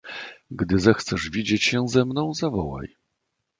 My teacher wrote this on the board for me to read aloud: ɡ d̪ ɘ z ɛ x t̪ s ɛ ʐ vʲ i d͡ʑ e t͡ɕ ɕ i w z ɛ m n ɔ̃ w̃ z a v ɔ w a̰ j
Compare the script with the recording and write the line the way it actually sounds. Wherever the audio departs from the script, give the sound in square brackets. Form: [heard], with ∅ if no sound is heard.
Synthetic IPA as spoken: ɡ d̪ ɘ z ɛ x t̪ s ɛ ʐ vʲ i d͡ʑ e t͡ɕ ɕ [ɛ] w z ɛ m n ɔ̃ w̃ z a v ɔ w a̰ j